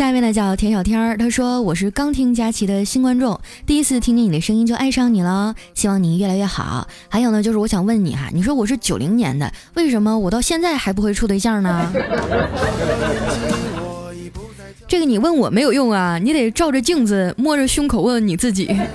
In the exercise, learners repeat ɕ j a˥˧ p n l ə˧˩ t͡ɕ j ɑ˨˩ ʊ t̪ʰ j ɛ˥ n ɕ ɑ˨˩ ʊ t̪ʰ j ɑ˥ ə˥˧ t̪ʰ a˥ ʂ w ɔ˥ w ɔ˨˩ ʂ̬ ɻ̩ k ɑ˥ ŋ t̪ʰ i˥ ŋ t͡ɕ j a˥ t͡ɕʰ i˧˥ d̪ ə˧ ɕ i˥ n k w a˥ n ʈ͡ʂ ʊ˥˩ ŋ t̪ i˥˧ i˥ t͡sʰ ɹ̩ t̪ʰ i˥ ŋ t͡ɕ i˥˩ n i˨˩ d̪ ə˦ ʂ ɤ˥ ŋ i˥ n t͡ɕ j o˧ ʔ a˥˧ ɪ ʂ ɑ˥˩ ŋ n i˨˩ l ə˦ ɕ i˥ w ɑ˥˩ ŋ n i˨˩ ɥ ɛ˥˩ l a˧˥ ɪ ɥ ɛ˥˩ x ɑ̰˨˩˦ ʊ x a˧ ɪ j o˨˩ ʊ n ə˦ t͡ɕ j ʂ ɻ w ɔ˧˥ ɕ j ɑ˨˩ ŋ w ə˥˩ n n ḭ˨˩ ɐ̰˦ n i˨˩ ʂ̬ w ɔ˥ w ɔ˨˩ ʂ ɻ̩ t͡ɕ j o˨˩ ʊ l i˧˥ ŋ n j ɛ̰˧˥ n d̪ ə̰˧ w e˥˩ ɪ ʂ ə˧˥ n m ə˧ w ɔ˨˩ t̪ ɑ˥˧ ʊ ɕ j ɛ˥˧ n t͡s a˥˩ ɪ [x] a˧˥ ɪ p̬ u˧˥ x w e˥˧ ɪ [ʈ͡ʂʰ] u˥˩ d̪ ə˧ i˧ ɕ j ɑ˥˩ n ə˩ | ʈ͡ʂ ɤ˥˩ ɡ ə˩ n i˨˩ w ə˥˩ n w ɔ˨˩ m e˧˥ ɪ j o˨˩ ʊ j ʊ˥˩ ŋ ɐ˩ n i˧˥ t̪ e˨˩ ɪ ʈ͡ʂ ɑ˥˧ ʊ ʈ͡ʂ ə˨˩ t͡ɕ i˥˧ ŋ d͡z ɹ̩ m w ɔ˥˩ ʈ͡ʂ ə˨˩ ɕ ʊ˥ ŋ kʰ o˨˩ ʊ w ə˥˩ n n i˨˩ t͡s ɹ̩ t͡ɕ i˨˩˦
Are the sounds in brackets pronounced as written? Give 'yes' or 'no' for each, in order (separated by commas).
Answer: yes, yes